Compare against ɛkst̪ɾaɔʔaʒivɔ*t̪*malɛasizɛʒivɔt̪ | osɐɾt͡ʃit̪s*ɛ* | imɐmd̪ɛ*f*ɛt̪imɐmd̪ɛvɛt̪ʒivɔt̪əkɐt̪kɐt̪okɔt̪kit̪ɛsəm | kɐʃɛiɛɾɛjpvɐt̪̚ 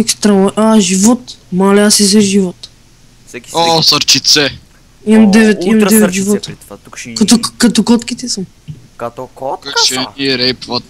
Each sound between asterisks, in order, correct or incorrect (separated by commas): correct, correct, incorrect